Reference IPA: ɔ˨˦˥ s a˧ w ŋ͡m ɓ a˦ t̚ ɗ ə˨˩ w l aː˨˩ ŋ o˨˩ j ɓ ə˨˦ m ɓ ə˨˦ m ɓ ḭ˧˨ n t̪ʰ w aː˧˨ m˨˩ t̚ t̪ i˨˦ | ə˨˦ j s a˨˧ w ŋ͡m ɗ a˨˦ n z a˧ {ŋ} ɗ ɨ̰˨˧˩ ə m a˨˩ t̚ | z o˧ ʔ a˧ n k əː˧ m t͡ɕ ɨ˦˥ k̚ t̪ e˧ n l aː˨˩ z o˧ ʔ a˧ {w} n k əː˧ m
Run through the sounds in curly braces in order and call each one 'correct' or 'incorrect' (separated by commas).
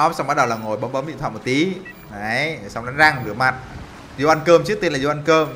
correct, incorrect